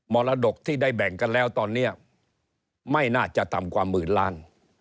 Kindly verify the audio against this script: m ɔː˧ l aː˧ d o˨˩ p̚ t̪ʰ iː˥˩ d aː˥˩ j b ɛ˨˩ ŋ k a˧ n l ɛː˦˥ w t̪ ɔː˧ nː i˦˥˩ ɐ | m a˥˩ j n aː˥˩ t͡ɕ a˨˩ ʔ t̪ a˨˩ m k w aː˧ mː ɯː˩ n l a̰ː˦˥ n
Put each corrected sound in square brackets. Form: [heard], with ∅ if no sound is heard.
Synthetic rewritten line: m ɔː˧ l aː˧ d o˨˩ [k̚] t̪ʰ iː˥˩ d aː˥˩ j b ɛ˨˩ ŋ k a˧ n l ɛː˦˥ w t̪ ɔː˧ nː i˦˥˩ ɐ | m a˥˩ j n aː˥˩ t͡ɕ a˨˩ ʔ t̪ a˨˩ m k w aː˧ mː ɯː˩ n l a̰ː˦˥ n

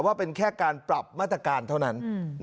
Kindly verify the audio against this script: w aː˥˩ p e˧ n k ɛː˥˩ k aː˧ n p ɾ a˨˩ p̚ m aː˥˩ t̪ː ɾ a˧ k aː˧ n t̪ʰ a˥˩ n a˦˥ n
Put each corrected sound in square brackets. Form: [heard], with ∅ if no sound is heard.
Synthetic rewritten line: w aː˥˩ p e˧ n [kʰ] ɛː˥˩ k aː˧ n p ɾ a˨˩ p̚ m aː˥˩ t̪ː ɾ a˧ k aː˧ n t̪ʰ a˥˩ n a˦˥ n

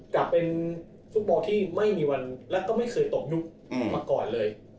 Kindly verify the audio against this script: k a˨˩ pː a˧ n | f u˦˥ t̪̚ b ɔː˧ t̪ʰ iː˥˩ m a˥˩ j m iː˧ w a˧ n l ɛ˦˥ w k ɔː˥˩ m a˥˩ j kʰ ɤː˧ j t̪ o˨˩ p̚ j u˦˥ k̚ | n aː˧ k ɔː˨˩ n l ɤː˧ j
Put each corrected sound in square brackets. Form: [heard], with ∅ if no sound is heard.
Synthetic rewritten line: k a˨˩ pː [e˧] n | f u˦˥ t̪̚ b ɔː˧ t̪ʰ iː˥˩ m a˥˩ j m iː˧ w a˧ n l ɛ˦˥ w k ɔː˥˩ m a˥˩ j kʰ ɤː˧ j t̪ o˨˩ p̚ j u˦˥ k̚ | [m] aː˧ k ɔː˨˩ n l ɤː˧ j

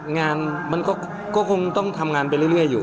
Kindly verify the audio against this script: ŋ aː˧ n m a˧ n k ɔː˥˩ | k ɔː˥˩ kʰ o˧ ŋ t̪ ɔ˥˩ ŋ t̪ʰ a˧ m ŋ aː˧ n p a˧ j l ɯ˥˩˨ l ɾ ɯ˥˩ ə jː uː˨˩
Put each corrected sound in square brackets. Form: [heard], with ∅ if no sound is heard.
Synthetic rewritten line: ŋ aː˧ n m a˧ n k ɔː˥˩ | k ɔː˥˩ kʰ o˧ ŋ t̪ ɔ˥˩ ŋ t̪ʰ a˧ m ŋ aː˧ n p a˧ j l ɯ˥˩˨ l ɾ ɯ˥˩ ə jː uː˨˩

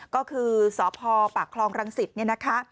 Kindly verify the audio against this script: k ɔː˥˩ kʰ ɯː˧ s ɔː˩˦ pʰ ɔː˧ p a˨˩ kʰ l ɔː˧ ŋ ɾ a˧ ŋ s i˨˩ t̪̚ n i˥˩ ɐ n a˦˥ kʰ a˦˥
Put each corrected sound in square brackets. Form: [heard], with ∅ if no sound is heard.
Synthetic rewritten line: k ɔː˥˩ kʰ ɯː˧ s ɔː˩˦ pʰ ɔː˧ p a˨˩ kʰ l ɔː˧ ŋ ɾ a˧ ŋ s i˨˩ t̪̚ n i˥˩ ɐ n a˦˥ kʰ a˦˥

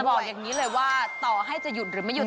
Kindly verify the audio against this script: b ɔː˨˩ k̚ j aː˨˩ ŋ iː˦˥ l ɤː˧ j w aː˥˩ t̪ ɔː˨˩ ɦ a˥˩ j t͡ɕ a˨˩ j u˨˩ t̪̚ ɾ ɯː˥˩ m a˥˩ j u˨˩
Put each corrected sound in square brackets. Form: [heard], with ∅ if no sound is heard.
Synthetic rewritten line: b ɔː˨˩ k̚ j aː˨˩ ŋ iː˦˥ l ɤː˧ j w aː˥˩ t̪ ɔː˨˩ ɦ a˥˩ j t͡ɕ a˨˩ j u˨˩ t̪̚ ɾ [ɯː˩˦] m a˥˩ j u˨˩

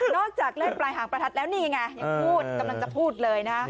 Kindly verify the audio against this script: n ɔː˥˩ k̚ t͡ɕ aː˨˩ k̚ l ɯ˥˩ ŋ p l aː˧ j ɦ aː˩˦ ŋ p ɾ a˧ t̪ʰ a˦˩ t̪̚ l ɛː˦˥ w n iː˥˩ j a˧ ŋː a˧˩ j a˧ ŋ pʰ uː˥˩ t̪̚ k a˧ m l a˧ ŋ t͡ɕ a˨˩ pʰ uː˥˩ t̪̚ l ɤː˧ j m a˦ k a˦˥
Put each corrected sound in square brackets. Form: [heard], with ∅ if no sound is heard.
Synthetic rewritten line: n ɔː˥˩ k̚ t͡ɕ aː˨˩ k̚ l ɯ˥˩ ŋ p l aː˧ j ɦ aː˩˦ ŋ p ɾ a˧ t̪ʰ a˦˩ t̪̚ l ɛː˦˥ w n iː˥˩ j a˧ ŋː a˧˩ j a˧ ŋ pʰ uː˥˩ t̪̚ k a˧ m l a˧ ŋ t͡ɕ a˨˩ pʰ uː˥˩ t̪̚ l ɤː˧ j [n] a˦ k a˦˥

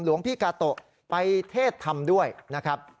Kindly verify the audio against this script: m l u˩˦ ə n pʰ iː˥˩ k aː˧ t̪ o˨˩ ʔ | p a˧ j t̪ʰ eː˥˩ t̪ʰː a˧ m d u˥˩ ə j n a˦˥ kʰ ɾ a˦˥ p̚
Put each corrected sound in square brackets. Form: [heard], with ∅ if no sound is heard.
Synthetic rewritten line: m l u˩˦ ə [ŋ] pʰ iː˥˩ k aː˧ t̪ o˨˩ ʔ | p a˧ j t̪ʰ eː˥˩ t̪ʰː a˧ m d u˥˩ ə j n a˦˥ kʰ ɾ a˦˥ p̚

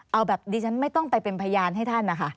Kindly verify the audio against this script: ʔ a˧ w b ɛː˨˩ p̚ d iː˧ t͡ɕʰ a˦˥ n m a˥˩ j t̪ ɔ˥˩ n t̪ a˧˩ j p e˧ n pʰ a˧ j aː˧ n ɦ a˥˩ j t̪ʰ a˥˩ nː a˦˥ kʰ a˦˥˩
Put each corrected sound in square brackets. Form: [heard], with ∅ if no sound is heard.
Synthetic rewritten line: ʔ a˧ w b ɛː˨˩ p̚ d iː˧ t͡ɕʰ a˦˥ n m a˥˩ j t̪ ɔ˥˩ [ŋ] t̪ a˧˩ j p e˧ n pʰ a˧ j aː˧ n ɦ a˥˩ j t̪ʰ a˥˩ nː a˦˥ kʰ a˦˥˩

